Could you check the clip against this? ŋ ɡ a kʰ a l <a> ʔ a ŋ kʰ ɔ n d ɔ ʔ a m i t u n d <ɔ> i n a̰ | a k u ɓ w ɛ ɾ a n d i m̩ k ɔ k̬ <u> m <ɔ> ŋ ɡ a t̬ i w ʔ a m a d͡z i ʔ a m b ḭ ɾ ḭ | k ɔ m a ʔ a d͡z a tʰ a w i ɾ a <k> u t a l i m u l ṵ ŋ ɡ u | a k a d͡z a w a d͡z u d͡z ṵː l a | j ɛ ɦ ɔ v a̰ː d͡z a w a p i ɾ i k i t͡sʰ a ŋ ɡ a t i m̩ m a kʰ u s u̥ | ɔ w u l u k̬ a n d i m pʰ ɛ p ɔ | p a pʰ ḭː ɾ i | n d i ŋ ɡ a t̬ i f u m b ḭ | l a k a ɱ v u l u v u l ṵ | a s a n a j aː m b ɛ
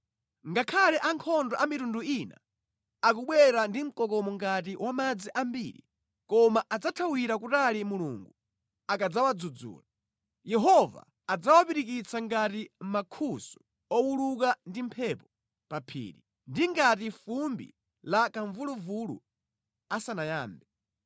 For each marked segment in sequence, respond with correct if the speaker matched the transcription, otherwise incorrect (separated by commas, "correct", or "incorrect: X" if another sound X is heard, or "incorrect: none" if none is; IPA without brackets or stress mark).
incorrect: ɛ, incorrect: u, incorrect: ɔ, correct, correct